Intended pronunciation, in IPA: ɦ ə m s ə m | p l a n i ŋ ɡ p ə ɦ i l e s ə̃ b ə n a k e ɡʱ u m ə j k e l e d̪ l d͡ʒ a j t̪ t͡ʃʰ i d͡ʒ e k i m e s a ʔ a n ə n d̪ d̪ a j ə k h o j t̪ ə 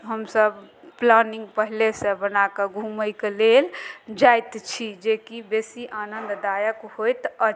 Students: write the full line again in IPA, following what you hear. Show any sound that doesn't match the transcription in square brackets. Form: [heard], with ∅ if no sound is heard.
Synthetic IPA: ɦ ə m s ə [b] | p l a n i ŋ ɡ p ə ɦ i l e s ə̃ b ə n a k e ɡʱ u m ə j k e l e [∅] l d͡ʒ a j t̪ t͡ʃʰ i d͡ʒ e k i [b] e s [i] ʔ a n ə n d̪ d̪ a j ə k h o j t̪ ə